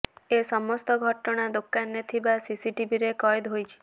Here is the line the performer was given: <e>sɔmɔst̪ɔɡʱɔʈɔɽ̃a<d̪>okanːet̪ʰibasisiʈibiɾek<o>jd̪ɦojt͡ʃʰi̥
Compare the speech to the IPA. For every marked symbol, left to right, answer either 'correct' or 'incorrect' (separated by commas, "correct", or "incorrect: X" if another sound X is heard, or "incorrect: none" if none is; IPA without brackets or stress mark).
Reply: correct, correct, incorrect: ɔ